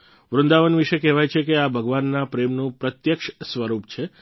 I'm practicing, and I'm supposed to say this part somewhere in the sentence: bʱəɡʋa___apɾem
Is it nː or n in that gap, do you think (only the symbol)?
nː